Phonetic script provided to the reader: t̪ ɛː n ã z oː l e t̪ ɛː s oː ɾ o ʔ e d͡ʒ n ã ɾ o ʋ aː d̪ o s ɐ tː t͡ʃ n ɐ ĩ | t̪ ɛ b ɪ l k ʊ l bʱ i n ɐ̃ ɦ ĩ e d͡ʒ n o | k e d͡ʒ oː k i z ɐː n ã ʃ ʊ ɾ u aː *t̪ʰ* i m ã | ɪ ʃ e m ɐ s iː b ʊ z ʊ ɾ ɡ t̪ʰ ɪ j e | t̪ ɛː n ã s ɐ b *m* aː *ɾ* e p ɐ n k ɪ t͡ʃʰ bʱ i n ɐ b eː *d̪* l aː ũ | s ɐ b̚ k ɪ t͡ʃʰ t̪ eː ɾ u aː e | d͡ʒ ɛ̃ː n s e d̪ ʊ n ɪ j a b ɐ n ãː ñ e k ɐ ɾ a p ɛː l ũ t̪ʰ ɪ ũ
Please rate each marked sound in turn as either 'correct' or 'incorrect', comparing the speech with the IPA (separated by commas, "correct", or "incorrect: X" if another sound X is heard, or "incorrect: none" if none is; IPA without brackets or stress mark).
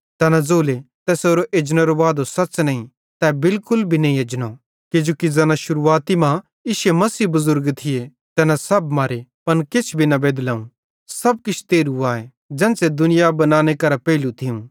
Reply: incorrect: t̪, correct, correct, correct